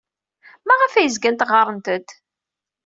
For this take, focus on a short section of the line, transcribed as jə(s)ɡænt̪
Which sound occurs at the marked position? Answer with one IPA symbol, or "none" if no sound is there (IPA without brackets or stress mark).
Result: z